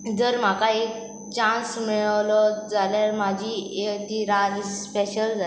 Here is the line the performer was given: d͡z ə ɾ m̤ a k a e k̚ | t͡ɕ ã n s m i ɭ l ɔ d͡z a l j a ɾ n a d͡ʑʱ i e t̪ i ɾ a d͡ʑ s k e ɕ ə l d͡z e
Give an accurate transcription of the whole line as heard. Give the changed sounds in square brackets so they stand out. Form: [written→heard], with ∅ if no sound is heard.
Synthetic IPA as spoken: d͡z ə ɾ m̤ a k a e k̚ | t͡ɕ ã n s m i ɭ l ɔ d͡z a l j a ɾ [n→m] a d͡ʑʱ i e t̪ i ɾ a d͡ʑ s [k→p] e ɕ ə l d͡z [e→a]